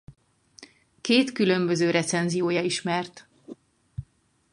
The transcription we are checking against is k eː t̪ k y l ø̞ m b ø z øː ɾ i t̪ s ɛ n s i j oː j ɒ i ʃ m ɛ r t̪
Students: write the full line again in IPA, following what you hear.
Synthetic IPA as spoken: k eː t̪ k y l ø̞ m b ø z øː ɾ ɛ t̪ s ɛ n z i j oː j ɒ i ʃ m ɛ r t̪